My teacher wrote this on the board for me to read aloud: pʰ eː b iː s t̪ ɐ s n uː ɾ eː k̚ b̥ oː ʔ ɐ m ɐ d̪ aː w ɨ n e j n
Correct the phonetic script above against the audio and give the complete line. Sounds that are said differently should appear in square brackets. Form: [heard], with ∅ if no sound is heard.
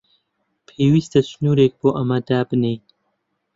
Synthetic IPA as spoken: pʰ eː [w] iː s t̪ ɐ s n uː ɾ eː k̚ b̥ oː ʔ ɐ m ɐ d̪ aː [b] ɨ n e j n